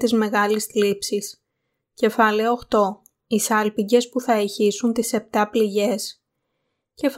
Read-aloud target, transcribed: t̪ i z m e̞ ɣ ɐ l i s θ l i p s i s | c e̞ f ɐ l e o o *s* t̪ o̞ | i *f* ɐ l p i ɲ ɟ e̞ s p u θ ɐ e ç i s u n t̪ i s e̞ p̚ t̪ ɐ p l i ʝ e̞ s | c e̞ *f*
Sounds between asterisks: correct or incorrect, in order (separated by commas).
incorrect, incorrect, correct